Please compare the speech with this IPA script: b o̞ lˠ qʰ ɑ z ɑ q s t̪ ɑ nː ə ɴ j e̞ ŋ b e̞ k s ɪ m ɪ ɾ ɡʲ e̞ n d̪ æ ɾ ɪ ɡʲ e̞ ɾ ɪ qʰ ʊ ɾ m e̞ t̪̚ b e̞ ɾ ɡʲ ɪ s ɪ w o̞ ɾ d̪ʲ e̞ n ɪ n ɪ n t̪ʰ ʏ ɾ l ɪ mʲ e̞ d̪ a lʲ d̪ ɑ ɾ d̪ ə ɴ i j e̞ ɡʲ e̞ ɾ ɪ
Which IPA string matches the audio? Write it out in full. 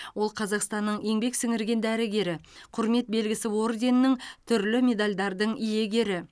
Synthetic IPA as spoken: w o̞ lˠ qʰ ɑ z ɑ q s t̪ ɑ nː ə ɴ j e̞ ŋ b e̞ k s ɪ ŋ ɪ ɾ ɡʲ e̞ n d̪ æ ɾ ɪ ɡʲ e̞ ɾ ɪ qʰ ʊ ɾ m e̞ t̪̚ b e̞ l ɡʲ ɪ s ɪ w o̞ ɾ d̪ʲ e̞ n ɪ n ɪ ŋ t̪ʰ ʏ ɾ l ɪ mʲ e̞ d̪ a lʲ d̪ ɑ ɾ d̪ ə ɴ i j e̞ ɡʲ e̞ ɾ ɪ